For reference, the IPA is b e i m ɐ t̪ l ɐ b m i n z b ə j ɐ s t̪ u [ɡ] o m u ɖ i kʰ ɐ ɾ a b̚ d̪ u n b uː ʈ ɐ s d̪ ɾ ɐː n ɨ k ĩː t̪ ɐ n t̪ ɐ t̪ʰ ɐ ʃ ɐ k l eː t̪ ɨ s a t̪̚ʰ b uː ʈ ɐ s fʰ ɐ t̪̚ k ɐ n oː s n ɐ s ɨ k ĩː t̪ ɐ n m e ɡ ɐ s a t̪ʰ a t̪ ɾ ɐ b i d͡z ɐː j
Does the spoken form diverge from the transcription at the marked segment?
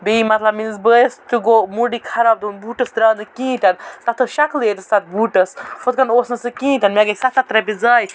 no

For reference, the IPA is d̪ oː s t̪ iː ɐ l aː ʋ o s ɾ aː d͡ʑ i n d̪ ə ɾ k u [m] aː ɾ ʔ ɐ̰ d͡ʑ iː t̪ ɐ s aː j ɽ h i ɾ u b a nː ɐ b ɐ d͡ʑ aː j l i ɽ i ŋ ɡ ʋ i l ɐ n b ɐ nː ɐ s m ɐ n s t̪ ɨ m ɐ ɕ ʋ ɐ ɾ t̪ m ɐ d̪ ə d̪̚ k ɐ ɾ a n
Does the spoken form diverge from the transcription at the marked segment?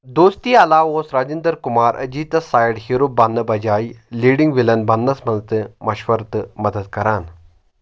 no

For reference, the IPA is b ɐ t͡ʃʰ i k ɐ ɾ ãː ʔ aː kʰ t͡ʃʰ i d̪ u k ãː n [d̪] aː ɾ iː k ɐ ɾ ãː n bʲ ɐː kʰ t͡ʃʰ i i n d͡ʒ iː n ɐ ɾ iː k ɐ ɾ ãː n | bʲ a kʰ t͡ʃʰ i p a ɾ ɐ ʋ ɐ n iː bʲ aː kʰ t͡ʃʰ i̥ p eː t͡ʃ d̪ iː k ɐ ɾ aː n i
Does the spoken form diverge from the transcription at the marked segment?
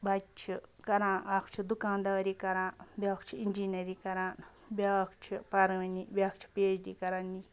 no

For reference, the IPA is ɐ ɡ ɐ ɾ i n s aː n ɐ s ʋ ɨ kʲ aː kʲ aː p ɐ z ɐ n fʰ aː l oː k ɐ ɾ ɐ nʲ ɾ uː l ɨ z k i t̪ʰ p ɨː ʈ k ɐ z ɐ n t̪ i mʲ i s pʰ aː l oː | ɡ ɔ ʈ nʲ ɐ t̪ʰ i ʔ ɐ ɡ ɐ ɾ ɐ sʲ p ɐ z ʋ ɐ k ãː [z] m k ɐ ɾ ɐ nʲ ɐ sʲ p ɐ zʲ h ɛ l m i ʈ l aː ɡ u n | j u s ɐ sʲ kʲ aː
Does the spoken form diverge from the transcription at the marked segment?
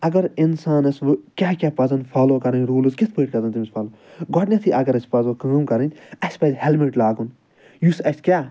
yes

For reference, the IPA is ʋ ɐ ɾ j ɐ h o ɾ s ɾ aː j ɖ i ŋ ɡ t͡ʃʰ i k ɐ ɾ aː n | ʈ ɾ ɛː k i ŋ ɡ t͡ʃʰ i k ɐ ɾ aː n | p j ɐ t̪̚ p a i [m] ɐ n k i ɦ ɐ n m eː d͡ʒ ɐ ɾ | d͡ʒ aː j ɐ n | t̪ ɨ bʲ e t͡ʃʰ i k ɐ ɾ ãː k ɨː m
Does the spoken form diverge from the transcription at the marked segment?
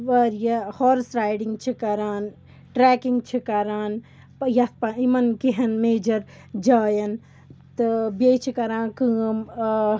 no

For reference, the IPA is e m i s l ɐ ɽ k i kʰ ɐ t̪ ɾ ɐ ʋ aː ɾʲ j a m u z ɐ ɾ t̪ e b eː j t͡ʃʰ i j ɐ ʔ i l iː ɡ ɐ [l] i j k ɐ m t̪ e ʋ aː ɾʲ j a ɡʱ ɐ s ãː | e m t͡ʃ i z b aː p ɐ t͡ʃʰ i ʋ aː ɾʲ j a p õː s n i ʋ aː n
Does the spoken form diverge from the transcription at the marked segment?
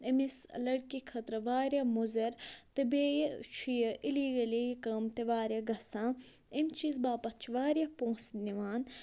no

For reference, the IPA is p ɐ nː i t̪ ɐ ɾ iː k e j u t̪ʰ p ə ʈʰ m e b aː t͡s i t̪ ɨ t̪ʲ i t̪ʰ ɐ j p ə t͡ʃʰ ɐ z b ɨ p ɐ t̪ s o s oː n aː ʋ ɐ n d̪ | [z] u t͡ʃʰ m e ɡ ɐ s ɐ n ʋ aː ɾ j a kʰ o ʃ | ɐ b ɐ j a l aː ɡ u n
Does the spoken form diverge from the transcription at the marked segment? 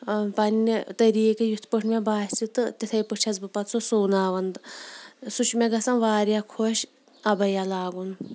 yes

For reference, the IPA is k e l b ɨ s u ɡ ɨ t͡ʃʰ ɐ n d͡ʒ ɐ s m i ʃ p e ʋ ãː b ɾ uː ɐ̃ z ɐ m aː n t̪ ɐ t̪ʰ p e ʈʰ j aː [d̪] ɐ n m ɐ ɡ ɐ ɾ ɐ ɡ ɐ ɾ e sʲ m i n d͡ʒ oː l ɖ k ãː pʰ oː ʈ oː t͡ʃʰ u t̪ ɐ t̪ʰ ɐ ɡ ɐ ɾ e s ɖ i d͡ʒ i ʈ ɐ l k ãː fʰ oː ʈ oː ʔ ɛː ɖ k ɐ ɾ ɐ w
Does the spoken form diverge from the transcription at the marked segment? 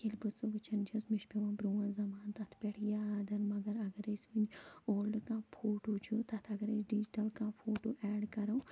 no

